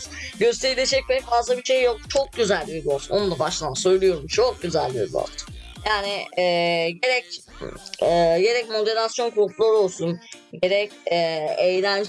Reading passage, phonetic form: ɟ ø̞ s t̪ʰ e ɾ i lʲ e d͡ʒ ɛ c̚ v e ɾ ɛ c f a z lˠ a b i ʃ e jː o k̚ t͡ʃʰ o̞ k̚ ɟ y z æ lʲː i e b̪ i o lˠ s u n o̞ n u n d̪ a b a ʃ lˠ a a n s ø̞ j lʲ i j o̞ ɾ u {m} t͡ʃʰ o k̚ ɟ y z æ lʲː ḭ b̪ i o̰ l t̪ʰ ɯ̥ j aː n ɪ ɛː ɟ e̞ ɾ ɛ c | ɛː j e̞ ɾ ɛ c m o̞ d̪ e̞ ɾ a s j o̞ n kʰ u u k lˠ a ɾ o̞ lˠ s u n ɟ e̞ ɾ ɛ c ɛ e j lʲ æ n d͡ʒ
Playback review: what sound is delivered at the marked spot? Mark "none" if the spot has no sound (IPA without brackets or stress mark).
m